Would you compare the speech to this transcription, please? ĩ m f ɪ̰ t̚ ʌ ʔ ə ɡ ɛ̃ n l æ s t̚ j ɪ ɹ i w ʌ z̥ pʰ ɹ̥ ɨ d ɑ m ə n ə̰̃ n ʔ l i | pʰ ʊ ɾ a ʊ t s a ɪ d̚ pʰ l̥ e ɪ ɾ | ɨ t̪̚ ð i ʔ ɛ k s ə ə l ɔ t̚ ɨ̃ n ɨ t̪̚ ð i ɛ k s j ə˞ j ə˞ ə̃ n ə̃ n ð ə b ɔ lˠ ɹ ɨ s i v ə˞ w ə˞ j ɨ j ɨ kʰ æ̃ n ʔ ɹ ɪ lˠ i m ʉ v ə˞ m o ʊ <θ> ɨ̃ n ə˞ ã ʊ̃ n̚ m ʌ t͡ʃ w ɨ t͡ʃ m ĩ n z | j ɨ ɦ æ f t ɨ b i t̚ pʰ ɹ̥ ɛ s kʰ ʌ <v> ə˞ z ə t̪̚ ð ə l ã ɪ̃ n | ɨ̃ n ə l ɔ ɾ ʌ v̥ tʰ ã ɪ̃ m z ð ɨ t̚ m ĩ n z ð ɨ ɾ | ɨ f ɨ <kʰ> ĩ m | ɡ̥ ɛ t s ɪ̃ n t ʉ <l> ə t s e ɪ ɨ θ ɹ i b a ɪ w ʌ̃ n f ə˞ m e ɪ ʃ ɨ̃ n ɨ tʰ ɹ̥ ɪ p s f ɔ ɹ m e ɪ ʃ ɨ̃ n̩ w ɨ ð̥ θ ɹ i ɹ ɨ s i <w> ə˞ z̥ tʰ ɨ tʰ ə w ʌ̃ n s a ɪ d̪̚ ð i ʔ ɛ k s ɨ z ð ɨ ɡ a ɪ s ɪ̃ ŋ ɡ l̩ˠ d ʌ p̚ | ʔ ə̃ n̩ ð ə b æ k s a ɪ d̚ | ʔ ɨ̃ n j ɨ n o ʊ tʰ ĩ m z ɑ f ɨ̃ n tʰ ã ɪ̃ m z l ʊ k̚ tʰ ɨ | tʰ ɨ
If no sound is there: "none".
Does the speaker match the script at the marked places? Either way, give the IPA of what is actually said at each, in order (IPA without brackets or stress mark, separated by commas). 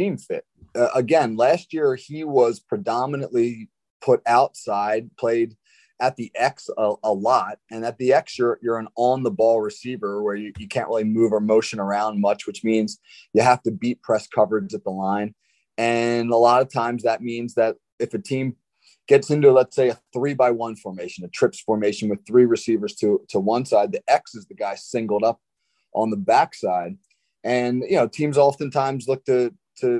ʃ, v, tʰ, l, v